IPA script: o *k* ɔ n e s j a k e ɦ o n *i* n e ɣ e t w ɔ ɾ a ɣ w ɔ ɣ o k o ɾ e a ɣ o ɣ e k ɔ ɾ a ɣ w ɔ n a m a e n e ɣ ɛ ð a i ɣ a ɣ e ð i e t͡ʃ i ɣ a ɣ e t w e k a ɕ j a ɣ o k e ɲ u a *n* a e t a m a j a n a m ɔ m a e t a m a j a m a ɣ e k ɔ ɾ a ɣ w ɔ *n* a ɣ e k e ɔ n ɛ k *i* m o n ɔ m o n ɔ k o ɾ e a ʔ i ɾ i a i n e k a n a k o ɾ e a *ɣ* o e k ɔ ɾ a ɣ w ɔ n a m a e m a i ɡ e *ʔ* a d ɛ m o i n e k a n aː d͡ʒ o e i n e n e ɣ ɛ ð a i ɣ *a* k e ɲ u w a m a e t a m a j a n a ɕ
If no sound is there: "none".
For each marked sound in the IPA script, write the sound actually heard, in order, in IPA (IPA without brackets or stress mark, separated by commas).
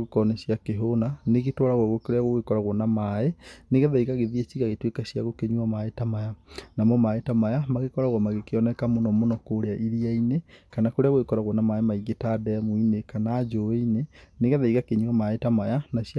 k, a, m, m, a, ɣ, t, a